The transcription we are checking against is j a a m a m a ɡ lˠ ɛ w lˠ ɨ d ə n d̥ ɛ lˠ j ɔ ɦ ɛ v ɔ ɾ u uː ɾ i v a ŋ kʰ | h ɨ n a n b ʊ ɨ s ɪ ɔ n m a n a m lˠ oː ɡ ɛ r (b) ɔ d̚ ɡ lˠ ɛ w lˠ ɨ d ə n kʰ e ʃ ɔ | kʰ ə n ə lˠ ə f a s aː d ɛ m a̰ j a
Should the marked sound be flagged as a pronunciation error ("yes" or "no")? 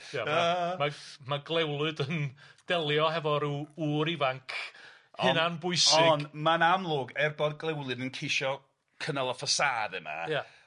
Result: no